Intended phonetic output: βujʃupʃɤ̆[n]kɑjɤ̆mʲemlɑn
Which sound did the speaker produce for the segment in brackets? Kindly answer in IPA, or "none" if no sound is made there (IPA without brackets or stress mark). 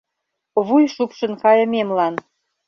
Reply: n